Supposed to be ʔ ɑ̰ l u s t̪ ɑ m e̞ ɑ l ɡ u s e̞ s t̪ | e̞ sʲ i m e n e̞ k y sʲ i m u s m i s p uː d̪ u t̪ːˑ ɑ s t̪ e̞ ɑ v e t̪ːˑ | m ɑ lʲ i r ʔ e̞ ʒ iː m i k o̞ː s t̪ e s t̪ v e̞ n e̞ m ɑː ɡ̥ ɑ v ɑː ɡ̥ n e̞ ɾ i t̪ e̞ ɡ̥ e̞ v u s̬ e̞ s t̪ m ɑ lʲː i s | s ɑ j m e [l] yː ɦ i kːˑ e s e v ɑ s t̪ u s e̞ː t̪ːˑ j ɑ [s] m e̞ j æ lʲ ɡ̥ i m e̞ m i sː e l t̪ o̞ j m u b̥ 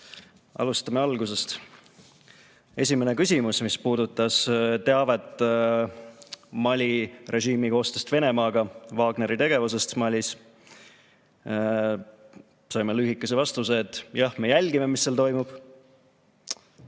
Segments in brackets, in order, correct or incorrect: correct, incorrect

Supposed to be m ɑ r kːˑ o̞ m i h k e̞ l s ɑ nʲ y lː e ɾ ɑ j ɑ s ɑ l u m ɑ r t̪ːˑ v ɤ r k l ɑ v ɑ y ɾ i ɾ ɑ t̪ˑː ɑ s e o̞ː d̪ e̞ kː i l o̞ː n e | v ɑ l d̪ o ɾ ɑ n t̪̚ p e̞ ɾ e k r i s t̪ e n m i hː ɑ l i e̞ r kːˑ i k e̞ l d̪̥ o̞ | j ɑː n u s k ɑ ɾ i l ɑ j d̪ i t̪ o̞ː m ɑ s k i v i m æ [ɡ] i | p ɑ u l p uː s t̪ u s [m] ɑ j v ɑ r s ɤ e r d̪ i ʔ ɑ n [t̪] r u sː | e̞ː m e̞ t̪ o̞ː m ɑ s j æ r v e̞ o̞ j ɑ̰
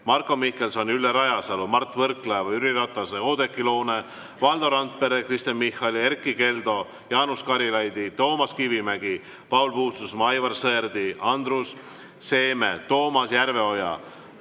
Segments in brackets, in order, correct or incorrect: correct, correct, incorrect

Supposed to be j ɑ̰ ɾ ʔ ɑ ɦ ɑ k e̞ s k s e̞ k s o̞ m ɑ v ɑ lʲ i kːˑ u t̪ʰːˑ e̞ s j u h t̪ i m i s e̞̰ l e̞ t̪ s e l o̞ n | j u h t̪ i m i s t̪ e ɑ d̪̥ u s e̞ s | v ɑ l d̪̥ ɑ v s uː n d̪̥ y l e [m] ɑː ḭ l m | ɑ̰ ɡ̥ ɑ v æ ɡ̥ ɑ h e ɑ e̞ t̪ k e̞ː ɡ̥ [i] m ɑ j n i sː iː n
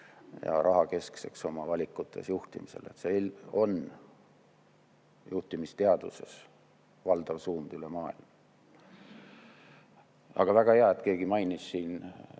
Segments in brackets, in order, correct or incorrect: correct, correct

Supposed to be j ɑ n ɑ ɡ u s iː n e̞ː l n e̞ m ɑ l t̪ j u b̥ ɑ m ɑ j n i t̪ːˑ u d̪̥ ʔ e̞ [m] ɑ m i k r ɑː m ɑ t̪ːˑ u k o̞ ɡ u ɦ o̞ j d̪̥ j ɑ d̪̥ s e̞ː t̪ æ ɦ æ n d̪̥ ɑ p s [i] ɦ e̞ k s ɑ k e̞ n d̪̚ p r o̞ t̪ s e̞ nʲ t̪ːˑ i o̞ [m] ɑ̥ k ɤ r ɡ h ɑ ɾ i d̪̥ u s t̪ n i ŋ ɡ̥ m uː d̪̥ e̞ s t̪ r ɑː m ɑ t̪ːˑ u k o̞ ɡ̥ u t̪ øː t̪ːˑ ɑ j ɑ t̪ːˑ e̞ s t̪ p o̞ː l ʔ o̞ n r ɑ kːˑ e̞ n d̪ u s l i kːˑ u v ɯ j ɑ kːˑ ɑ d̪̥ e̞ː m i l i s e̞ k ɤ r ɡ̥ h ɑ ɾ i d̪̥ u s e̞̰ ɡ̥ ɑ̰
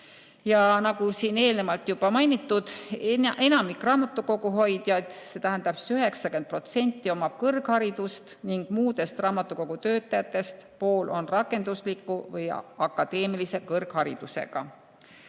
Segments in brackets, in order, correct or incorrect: incorrect, incorrect, correct

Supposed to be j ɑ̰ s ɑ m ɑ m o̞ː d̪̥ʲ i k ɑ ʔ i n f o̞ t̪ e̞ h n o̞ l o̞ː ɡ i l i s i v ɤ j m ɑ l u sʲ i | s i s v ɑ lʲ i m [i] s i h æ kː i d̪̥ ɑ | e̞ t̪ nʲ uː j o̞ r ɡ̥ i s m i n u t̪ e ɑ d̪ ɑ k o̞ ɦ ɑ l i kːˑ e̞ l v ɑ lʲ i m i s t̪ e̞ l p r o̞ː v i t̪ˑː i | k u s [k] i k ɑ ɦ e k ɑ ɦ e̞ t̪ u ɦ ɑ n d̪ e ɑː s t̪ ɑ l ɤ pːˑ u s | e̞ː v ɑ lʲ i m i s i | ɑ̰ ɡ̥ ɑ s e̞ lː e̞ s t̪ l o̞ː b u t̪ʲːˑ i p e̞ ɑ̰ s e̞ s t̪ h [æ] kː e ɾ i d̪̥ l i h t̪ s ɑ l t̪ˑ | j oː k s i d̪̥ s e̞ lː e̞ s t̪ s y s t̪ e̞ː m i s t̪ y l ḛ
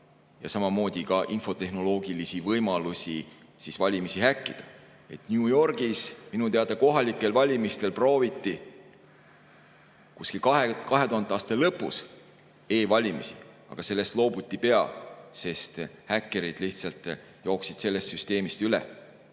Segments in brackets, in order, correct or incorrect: correct, correct, correct

